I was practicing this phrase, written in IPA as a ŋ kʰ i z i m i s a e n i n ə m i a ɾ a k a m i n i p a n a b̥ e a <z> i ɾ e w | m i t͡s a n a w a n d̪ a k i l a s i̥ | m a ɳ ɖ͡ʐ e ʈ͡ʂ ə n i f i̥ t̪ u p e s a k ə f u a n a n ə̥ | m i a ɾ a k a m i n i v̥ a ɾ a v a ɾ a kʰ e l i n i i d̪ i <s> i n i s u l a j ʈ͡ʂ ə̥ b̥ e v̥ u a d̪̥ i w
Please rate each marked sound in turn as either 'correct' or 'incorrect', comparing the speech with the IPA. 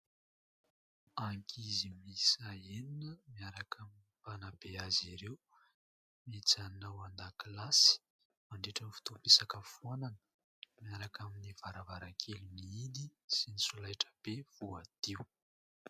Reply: correct, correct

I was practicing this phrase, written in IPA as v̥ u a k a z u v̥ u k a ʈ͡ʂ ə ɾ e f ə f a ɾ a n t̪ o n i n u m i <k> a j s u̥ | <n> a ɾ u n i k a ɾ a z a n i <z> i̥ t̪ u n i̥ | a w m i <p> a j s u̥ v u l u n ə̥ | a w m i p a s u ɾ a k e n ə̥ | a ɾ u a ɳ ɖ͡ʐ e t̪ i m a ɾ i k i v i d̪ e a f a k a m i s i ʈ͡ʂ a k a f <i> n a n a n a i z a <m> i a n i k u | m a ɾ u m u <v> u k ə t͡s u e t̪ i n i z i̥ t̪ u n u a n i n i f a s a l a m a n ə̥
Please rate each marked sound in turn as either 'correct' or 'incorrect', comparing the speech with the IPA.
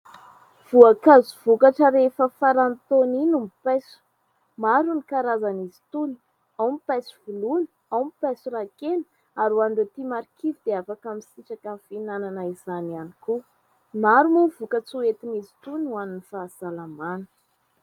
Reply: incorrect: p, incorrect: m, correct, correct, correct, incorrect: n, correct

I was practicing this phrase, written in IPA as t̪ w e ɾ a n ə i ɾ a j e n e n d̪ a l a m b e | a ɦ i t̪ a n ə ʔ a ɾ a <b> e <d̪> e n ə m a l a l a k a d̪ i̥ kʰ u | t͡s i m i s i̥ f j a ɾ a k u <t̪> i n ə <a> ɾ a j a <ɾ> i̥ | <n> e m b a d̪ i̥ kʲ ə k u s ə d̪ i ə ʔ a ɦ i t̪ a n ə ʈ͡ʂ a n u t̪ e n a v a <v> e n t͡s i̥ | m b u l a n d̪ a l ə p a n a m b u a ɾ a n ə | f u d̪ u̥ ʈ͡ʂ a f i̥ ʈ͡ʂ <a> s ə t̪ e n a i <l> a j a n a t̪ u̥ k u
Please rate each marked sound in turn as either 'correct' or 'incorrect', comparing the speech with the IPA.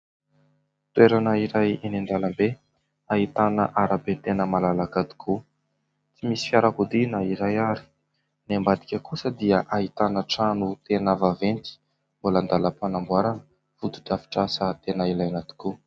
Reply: correct, incorrect: t̪, incorrect: d̪, incorrect: i, correct, correct, correct, correct, correct

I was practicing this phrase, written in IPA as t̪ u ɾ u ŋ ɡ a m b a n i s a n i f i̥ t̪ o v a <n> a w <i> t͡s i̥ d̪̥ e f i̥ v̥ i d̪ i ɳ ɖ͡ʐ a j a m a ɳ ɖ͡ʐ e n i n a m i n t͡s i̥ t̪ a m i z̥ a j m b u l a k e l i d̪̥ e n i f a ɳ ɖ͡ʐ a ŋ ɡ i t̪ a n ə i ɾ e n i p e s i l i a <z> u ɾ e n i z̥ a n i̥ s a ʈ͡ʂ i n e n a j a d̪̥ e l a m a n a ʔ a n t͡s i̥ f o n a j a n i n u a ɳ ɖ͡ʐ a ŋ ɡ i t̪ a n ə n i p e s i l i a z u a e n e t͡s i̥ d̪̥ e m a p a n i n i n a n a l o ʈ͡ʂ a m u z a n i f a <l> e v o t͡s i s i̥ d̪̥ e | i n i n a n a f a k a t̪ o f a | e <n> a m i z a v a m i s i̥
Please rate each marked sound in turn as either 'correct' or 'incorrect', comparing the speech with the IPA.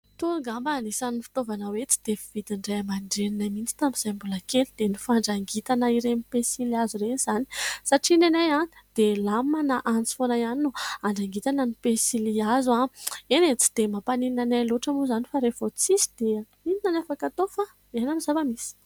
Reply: correct, incorrect: e, correct, incorrect: ɾ, correct

